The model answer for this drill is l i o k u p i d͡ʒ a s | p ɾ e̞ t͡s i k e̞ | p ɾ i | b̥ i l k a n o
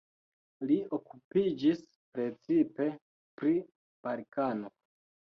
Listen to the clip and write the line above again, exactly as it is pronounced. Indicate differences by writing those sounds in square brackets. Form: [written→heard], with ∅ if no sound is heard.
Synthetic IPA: l i o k u p i d͡ʒ [a→i] s | p ɾ e̞ t͡s i [k→p] e̞ | p ɾ i | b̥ [i→a] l k a n o

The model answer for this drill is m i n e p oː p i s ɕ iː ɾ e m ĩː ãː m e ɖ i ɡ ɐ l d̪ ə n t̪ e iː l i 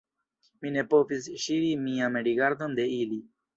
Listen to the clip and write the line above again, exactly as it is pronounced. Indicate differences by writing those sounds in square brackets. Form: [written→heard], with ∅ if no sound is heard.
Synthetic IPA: m i n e p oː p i s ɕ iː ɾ [e→i] m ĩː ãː m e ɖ i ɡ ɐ [l→ɾ] d̪ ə n [t̪→d̪] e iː l i

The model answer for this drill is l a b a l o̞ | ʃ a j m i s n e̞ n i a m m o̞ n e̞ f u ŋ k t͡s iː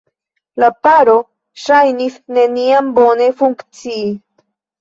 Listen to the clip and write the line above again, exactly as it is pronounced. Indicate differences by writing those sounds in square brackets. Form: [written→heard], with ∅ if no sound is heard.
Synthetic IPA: l a [b→p] a [l→ɾ] o̞ | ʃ a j [m→n] i s n e̞ n i a m [m→b] o̞ n e̞ f u ŋ k t͡s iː

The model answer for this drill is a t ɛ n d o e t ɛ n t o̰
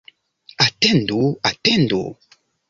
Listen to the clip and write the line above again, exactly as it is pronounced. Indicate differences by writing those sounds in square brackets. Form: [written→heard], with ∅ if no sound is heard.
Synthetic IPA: a t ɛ n d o [e→a] t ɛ n [t→d] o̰

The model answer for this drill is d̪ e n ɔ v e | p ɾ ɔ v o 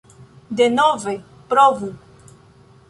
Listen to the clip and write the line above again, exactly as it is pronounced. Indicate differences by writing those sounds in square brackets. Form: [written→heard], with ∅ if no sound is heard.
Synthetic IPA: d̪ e n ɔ v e | p ɾ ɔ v [o→u]

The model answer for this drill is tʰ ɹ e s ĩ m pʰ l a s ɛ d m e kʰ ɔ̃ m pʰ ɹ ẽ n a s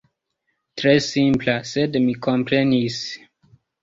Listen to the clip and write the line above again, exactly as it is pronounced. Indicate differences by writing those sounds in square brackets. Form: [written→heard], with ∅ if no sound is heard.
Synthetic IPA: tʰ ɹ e s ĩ m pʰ l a s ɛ d m [e→i] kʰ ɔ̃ m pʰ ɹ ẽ n [a→i] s

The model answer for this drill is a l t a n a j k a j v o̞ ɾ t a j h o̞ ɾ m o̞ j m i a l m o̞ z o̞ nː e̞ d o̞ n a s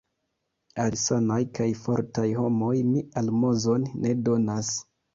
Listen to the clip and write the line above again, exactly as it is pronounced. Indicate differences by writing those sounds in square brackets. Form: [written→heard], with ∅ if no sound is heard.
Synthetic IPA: a l [t→s] a n a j k a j [v→f] o̞ ɾ t a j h o̞ [ɾ→∅] m o̞ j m i a l m o̞ z o̞ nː e̞ d o̞ n a s

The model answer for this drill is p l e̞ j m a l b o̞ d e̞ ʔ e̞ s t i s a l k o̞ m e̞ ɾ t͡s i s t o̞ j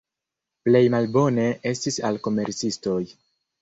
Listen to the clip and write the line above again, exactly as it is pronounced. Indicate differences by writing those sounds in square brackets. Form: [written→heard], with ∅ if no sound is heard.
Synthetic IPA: p l e̞ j m a l b o̞ [d→n] e̞ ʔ e̞ s t i s a l k o̞ m e̞ ɾ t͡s i s t o̞ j

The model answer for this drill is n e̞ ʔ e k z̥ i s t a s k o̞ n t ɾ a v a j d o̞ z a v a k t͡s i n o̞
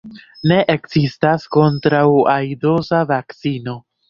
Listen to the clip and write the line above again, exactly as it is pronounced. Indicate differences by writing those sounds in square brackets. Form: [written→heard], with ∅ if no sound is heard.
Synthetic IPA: n e̞ ʔ e k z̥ i s t a s k o̞ n t ɾ a [v→w] a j d o̞ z a v a k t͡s i n o̞

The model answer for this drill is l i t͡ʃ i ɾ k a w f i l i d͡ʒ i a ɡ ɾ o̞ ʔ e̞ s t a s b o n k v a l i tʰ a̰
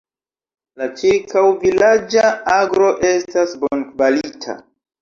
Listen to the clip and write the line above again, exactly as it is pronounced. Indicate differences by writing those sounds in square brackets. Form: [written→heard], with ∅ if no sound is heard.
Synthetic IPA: l [i→a] t͡ʃ i ɾ k a w [f→v] i l [i→a] d͡ʒ [i→a] a ɡ ɾ o̞ ʔ e̞ s t a s b o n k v a l i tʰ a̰

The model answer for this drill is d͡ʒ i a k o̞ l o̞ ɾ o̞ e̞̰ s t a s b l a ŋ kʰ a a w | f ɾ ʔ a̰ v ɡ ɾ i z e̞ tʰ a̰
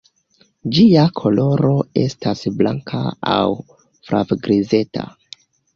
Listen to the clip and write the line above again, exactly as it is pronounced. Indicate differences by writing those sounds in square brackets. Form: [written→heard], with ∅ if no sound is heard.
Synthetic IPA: d͡ʒ i a [k→kʰ] o̞ l o̞ ɾ o̞ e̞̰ s t a s b l a ŋ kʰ a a w | f ɾ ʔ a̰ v ɡ ɾ i z e̞ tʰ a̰

